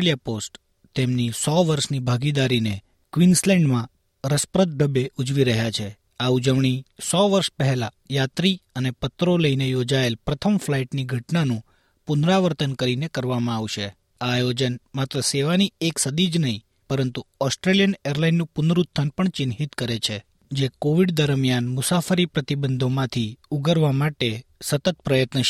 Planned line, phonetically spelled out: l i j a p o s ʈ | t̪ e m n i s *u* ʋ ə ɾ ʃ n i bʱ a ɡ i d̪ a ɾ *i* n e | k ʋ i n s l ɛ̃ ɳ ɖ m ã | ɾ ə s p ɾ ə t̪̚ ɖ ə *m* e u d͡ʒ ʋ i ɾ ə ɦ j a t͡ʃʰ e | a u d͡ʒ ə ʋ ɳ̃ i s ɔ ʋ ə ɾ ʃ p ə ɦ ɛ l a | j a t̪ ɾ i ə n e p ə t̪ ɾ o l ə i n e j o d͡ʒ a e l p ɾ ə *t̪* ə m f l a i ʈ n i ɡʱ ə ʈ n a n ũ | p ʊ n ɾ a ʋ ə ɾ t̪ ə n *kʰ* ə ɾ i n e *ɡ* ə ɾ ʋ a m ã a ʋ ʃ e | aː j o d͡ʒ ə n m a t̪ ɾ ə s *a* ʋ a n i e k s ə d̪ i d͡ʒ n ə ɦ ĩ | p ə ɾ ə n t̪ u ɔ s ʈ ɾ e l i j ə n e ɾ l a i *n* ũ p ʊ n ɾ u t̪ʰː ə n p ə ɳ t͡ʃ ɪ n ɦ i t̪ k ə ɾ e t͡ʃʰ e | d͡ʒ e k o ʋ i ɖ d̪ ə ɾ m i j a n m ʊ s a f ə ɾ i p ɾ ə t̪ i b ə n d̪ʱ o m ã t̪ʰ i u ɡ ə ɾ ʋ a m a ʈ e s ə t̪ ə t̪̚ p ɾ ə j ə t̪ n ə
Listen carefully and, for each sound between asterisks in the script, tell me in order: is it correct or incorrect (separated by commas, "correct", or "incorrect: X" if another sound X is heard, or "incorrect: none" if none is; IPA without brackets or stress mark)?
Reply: incorrect: ɔ, correct, incorrect: b, incorrect: t̪ʰ, incorrect: k, incorrect: k, incorrect: e, incorrect: nː